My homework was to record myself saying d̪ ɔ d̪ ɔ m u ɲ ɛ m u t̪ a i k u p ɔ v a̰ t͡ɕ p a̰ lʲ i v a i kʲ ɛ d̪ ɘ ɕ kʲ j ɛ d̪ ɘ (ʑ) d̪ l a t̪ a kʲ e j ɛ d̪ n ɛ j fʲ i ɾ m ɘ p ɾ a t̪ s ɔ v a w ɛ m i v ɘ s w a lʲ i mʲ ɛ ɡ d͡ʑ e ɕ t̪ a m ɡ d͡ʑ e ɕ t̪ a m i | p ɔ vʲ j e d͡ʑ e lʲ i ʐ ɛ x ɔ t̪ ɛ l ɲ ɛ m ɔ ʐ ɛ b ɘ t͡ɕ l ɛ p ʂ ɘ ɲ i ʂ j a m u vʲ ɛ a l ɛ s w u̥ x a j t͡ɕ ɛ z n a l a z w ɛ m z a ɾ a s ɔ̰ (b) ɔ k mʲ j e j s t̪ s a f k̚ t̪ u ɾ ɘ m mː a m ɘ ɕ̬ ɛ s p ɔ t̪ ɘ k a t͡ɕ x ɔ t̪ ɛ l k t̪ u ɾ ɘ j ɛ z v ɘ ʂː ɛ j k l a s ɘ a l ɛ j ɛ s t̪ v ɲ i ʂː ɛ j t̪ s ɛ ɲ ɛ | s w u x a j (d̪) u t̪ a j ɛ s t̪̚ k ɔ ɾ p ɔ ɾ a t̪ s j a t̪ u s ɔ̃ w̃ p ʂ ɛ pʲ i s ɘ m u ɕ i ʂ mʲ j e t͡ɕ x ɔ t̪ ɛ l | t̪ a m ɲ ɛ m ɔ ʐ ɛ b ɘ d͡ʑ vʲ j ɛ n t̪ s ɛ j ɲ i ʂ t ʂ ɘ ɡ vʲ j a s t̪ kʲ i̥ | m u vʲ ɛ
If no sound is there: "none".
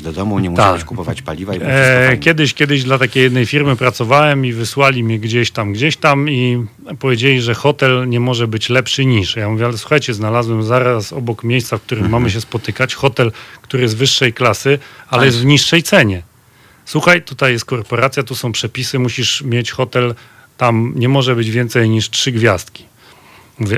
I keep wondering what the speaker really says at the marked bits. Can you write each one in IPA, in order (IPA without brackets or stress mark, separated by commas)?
ʑ, b, t̪